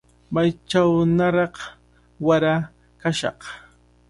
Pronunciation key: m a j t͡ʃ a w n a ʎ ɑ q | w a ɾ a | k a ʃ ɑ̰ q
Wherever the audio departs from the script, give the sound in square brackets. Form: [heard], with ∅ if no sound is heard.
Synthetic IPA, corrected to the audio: m a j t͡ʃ a w n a [ɾ] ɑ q | w a ɾ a | k a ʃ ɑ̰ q